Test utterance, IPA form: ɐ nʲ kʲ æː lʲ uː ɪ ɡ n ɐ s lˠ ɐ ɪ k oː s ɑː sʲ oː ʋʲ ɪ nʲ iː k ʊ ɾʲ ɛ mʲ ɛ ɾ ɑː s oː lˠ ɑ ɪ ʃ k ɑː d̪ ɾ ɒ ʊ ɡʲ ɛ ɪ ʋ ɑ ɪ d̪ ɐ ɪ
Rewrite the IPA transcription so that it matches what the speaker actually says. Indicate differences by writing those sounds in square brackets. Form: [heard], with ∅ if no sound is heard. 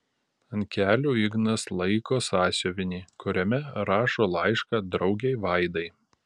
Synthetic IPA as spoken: ɐ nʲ kʲ æː lʲ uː ɪ ɡ n ɐ s lˠ ɐ ɪ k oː s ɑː sʲ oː ʋʲ ɪ nʲ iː k ʊ ɾʲ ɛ mʲ ɛ ɾ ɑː [ʃ] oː lˠ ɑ ɪ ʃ k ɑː d̪ ɾ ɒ ʊ ɡʲ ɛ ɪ ʋ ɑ ɪ d̪ ɐ ɪ